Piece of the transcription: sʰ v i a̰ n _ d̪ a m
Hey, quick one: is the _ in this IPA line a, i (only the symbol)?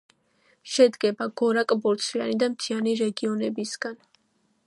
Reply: i